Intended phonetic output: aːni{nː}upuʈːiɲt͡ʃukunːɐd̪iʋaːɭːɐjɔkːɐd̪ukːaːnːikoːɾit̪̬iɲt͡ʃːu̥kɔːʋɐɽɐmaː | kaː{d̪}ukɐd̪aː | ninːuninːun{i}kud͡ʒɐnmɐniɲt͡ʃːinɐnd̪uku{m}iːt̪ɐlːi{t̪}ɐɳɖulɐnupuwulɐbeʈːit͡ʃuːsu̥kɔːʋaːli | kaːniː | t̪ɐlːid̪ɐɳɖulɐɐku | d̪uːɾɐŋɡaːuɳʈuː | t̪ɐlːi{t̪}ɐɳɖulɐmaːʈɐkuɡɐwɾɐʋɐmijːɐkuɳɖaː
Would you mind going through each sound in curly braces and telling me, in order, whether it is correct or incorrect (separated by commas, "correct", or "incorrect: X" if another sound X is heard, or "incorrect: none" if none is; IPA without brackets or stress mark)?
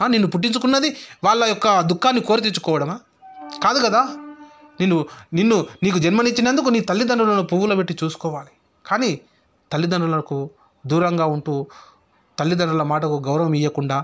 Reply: correct, correct, incorrect: iː, incorrect: n, incorrect: d̪, incorrect: d̪